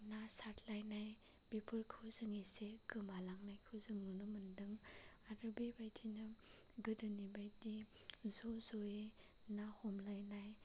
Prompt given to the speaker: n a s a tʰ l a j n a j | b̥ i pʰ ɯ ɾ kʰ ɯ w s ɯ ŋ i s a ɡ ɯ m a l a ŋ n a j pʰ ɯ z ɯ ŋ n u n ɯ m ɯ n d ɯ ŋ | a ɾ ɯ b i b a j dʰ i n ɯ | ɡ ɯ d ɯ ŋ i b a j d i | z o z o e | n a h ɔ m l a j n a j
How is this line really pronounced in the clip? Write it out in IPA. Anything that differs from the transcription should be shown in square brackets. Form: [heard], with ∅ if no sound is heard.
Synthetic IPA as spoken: n a s a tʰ l a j n a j | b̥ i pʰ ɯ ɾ kʰ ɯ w [z] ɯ ŋ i s [e] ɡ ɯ m a l a ŋ n a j [kʰ] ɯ z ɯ ŋ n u n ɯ m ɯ n d ɯ ŋ | a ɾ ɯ b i b a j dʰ i n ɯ | ɡ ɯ d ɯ [n] i b a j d i | z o z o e | n a h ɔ m l a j n a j